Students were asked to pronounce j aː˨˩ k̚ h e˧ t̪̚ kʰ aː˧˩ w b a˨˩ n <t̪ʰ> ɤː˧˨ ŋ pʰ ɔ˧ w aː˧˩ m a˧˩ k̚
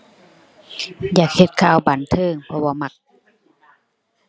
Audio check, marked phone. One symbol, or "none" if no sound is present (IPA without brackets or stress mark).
t̪ʰ